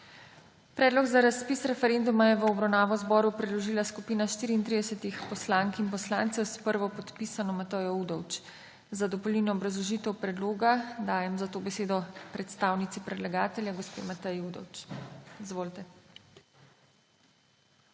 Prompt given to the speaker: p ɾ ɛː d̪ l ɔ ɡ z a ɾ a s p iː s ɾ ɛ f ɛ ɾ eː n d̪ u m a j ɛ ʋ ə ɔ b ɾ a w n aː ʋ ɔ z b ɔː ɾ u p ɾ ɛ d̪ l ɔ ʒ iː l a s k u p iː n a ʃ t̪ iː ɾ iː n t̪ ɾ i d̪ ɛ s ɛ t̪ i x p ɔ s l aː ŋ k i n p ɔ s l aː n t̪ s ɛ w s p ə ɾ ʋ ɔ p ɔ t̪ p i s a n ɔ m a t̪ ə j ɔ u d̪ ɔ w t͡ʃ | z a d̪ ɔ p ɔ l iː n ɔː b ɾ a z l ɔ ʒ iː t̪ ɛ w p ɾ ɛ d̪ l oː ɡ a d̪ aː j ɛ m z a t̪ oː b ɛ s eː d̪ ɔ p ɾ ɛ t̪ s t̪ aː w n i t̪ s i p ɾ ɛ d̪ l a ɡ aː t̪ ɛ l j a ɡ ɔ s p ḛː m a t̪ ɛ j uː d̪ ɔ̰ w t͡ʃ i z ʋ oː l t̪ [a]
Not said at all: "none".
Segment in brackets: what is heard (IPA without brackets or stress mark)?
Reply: ɛ